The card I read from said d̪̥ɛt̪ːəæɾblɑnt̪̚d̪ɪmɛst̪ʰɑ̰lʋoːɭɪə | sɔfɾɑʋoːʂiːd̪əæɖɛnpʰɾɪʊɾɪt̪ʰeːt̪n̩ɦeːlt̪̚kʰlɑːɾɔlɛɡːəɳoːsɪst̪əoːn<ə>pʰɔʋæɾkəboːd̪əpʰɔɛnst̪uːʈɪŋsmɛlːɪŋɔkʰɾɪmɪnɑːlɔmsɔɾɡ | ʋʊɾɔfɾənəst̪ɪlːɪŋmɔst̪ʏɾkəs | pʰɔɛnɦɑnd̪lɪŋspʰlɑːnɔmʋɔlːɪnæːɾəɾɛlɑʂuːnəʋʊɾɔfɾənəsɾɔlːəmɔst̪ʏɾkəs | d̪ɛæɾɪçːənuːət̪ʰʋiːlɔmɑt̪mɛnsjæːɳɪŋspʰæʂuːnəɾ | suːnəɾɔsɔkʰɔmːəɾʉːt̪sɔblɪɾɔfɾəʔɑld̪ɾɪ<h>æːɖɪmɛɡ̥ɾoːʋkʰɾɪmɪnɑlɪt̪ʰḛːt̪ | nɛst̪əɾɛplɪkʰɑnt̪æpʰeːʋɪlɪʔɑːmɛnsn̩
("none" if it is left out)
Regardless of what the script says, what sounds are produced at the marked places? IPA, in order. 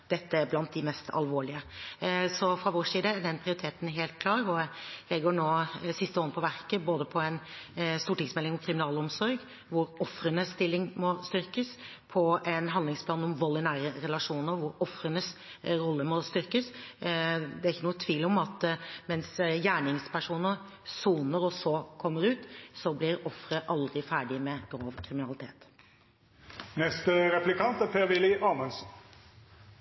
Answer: ə, f

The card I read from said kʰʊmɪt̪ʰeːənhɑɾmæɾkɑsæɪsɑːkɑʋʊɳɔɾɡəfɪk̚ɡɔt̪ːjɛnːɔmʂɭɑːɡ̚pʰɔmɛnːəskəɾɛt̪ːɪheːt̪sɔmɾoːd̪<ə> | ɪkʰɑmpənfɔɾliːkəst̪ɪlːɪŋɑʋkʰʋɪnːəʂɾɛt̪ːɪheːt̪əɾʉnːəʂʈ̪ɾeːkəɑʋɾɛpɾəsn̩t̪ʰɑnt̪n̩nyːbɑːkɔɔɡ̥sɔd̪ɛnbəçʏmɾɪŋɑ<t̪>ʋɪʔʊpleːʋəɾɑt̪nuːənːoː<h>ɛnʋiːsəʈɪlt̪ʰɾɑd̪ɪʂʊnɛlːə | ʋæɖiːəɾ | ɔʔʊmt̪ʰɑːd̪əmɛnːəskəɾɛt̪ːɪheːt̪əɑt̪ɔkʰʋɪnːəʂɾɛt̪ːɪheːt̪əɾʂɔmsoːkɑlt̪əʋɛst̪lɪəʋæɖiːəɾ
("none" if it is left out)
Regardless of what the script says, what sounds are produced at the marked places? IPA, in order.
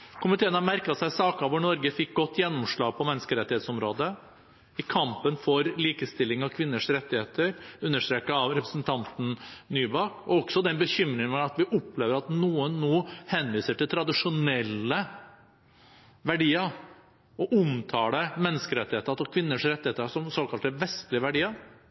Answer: ə, t̪, h

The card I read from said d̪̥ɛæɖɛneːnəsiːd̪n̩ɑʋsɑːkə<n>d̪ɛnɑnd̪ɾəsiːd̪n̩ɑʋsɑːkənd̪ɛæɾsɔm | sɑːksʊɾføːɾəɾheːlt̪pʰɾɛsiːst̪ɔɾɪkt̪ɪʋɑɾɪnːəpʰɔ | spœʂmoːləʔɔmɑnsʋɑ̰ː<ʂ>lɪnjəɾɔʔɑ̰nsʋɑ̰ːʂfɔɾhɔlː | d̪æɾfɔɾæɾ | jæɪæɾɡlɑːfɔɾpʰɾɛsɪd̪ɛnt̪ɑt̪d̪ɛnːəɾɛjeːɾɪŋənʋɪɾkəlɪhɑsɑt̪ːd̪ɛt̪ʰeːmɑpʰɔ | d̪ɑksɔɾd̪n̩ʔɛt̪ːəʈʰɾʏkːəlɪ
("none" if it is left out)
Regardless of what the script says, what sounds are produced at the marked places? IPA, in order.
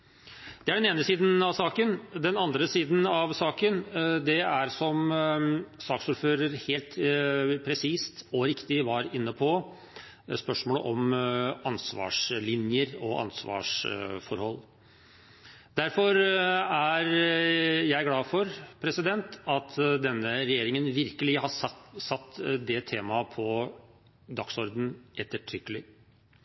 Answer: n, ʂ

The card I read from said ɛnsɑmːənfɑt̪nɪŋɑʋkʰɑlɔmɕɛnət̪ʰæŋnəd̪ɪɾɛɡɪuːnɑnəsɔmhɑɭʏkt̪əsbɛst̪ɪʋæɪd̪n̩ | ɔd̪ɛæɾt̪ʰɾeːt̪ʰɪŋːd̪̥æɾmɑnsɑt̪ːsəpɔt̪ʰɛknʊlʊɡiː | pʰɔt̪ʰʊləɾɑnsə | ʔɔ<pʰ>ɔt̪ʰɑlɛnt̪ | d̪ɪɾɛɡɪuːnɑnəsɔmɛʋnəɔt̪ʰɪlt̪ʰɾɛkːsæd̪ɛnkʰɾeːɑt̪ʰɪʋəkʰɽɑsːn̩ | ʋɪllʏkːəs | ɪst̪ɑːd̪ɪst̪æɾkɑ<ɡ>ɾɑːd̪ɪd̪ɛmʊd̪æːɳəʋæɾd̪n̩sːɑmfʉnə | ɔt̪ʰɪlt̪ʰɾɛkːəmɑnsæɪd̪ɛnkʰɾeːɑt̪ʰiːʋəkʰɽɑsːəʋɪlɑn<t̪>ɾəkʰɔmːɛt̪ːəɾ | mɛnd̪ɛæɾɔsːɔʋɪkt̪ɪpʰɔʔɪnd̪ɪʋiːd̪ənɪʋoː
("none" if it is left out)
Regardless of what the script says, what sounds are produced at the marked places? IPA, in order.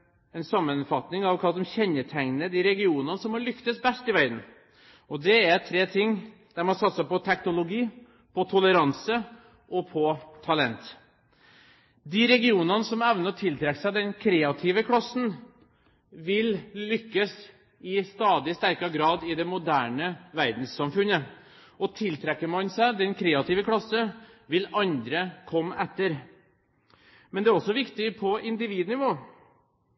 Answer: pʰ, ɡ, d̪

